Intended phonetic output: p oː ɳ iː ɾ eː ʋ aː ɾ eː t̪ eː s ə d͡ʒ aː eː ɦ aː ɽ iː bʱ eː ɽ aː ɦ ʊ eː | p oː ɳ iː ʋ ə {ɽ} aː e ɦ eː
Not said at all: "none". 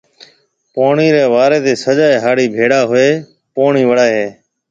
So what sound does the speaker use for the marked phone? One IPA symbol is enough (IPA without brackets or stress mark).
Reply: ɽ